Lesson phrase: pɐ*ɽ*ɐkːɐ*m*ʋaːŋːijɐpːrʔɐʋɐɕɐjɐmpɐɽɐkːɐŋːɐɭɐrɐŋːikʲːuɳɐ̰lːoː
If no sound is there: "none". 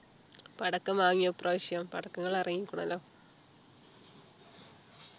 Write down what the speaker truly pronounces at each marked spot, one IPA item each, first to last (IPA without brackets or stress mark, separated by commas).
ɽ, m